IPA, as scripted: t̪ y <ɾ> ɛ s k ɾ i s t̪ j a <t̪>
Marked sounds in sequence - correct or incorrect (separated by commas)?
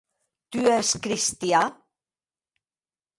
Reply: incorrect, incorrect